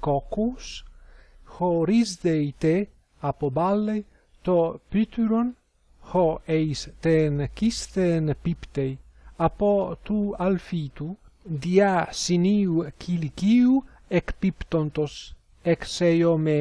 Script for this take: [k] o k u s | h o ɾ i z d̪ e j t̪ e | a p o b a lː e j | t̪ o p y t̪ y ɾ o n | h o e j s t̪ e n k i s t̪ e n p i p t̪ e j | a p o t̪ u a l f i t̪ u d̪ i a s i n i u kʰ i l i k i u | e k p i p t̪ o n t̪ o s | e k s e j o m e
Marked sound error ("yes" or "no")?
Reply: no